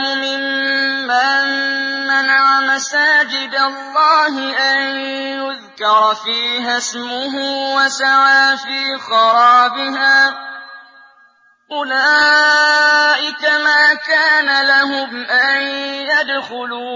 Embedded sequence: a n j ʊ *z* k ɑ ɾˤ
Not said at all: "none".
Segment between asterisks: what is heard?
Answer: ð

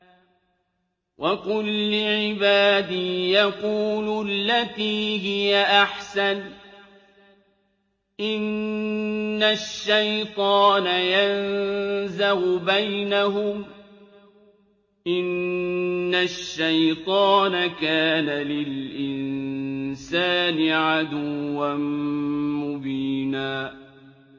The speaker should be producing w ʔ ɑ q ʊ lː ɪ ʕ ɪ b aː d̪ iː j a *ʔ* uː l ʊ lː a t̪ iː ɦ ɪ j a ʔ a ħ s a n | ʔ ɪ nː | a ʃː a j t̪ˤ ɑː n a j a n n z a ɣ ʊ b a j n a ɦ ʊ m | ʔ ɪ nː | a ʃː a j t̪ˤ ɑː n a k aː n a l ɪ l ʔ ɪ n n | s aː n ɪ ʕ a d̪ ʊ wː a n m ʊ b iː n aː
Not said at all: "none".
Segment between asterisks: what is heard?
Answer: q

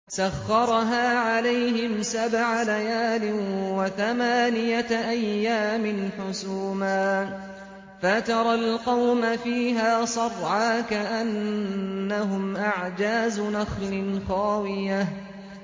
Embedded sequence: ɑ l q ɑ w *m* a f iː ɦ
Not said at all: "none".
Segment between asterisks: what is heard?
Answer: m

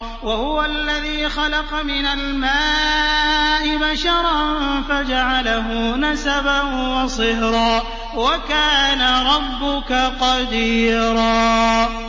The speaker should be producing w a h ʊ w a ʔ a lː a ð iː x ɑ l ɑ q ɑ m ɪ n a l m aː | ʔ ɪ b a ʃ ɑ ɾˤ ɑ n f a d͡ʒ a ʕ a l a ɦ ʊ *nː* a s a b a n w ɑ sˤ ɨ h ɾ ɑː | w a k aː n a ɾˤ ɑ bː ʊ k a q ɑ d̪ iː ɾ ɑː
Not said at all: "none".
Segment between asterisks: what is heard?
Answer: n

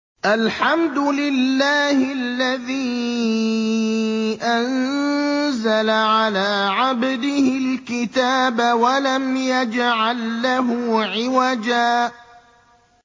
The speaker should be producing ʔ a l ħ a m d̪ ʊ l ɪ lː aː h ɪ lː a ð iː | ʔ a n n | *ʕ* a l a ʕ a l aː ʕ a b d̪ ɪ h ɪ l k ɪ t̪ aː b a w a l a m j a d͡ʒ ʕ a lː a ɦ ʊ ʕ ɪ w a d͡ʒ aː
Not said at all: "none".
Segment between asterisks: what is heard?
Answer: z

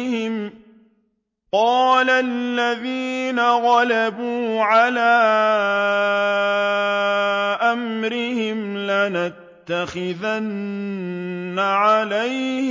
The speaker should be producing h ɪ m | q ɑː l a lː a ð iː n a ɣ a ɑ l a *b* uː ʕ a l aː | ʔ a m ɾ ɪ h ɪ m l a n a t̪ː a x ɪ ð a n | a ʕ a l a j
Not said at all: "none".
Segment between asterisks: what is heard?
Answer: b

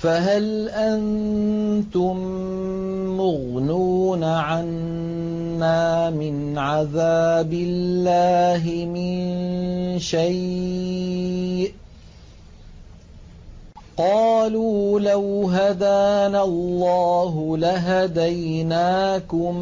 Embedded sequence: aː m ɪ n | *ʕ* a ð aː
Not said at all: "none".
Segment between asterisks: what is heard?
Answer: ʕ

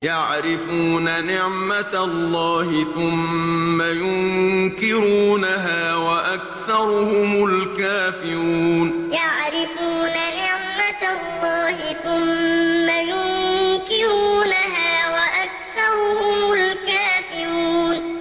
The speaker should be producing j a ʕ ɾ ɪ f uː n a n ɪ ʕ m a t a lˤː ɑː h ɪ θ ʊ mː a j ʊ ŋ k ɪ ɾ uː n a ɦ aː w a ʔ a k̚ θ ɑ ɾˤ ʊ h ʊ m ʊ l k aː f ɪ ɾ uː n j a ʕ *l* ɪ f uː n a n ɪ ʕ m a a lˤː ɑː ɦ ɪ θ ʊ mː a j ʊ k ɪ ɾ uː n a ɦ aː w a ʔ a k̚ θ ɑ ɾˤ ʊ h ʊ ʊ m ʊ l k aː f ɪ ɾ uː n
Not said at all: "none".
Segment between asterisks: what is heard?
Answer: ɾ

